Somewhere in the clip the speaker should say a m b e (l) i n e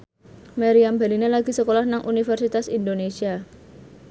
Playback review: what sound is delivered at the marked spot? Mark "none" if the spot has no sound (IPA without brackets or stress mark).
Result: l